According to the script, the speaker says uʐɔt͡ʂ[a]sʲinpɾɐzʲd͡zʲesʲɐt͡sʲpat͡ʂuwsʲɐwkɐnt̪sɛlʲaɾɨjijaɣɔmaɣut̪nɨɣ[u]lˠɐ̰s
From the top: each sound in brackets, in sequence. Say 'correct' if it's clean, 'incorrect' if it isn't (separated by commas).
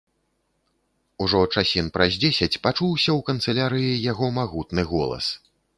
correct, incorrect